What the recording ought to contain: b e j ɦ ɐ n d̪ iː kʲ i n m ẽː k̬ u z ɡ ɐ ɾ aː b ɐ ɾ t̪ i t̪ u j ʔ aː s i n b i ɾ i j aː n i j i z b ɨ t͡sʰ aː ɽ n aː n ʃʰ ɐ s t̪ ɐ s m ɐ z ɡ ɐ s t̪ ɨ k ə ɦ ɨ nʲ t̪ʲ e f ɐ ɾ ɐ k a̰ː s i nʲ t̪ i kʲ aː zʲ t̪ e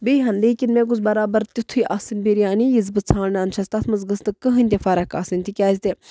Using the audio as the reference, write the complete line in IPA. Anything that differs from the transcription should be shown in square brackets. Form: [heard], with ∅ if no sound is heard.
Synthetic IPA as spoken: b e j ɦ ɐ n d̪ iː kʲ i n m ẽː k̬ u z [b] ɐ ɾ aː b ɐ ɾ t̪ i [t̪ʰ] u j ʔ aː s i n b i ɾ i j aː n i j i z b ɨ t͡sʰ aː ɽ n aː n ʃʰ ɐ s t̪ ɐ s m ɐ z ɡ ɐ s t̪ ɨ k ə ɦ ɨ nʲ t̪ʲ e f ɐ ɾ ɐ k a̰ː s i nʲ t̪ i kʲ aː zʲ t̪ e